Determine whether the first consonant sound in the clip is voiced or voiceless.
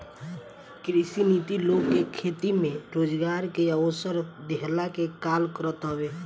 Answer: voiceless